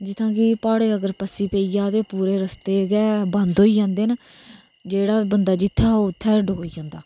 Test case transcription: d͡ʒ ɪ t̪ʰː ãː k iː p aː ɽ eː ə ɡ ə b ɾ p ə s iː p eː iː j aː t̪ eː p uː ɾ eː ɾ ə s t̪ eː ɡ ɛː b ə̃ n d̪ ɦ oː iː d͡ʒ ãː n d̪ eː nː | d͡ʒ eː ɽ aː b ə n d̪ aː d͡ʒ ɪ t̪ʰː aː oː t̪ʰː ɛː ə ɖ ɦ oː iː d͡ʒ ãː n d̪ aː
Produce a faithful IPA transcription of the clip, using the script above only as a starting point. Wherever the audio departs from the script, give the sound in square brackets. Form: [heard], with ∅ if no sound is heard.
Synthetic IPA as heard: d͡ʒ ɪ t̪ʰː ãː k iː p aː ɽ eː ə ɡ ə [∅] ɾ p ə s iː p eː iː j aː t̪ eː p uː ɾ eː ɾ ə s t̪ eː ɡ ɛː b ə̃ n d̪ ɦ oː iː d͡ʒ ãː n d̪ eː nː | d͡ʒ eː ɽ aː b ə n d̪ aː d͡ʒ ɪ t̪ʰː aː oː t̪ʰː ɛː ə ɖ ɦ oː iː d͡ʒ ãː n d̪ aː

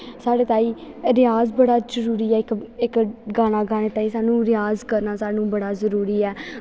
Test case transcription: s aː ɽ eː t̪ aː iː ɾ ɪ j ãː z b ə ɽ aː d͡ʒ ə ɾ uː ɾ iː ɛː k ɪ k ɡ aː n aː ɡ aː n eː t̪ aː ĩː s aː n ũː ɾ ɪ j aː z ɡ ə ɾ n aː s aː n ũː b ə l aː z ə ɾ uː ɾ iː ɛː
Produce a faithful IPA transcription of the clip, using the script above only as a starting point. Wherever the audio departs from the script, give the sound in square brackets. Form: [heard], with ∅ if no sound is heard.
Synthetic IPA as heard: s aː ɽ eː t̪ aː iː ɾ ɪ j [aː] z b ə ɽ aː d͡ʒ ə ɾ uː ɾ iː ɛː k ɪ k ɡ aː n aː ɡ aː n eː t̪ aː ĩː s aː n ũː ɾ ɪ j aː z [k] ə ɾ n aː s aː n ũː b ə [ɽ] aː z ə ɾ uː ɾ iː ɛː

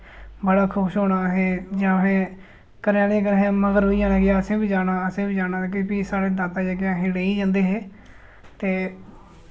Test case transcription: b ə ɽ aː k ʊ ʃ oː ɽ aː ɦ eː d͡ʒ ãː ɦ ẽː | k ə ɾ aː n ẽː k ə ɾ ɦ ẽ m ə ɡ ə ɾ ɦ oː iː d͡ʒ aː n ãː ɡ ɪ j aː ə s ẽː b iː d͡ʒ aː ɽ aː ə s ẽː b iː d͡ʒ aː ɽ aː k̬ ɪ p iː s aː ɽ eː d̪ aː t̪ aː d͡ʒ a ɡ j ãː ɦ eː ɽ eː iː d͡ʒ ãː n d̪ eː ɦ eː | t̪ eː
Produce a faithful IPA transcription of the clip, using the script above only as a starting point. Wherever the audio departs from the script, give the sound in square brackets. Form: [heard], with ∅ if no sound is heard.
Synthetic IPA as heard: b ə ɽ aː [kʰ] ʊ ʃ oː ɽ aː ɦ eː d͡ʒ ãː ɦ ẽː | k ə ɾ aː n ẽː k ə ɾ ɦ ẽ m ə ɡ ə ɾ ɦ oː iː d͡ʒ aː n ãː ɡ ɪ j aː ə s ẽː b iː d͡ʒ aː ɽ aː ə s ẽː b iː d͡ʒ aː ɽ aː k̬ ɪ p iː s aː ɽ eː d̪ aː t̪ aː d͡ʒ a ɡ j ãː ɦ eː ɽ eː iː d͡ʒ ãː n d̪ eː ɦ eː | t̪ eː

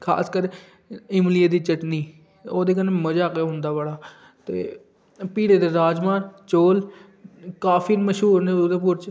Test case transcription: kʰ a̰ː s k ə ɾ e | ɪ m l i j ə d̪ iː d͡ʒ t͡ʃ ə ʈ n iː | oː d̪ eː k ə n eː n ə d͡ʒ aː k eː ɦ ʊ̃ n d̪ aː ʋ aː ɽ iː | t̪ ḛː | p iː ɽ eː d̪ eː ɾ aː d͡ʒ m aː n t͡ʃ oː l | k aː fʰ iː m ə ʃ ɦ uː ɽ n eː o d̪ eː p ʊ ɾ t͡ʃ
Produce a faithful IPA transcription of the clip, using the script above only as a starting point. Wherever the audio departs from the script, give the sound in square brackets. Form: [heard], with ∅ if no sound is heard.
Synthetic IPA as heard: kʰ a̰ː s k ə ɾ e | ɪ m l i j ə d̪ iː [∅] t͡ʃ ə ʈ n iː | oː d̪ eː k ə n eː [m] ə d͡ʒ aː k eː ɦ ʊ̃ n d̪ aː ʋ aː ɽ [aː] | t̪ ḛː | p iː ɽ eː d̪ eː ɾ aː d͡ʒ m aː n t͡ʃ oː l | k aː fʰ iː m ə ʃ ɦ uː [ɾ] n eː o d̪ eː p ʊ ɾ t͡ʃ

